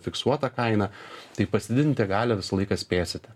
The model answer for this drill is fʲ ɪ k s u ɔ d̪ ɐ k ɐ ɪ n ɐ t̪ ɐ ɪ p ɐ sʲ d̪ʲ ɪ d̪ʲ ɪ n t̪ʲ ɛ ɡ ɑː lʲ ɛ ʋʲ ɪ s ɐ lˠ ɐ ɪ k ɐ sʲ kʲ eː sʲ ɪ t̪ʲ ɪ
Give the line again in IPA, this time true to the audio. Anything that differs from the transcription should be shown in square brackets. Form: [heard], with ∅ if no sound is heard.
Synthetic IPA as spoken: fʲ ɪ k s u ɔ [t̪] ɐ k ɐ ɪ n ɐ t̪ ɐ ɪ p ɐ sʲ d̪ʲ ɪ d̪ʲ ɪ n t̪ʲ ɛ ɡ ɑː lʲ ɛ ʋʲ ɪ s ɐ lˠ ɐ ɪ k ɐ sʲ [pʲ] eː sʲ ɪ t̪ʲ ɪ